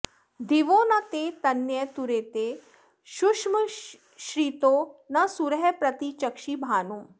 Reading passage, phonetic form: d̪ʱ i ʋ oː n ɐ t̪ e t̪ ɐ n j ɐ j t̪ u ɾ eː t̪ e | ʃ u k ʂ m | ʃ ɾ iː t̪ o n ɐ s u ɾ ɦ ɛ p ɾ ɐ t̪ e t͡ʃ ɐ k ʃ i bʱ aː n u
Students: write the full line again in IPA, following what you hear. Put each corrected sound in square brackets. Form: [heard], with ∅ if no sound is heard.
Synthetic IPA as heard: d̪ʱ i ʋ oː n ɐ t̪ e t̪ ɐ n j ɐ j t̪ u ɾ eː t̪ e | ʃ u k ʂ m | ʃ ɾ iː t̪ o n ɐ s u ɾ ɦ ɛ p ɾ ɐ t̪ [i] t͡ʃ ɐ k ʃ i bʱ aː n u